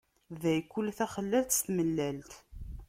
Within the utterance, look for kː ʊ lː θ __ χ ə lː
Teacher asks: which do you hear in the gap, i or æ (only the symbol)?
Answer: æ